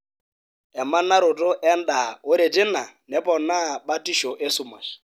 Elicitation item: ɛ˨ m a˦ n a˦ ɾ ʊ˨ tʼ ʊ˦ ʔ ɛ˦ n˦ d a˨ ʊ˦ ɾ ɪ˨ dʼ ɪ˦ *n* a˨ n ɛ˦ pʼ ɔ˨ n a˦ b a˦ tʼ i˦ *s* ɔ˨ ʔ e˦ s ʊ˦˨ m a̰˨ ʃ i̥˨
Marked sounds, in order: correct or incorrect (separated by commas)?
correct, incorrect